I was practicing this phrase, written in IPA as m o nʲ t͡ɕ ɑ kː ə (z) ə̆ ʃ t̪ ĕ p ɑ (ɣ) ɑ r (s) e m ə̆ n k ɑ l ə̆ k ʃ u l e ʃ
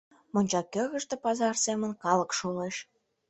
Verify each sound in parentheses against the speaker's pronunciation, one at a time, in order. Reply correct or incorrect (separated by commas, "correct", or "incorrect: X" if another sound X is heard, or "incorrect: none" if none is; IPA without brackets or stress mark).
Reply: incorrect: ɣ, incorrect: z, correct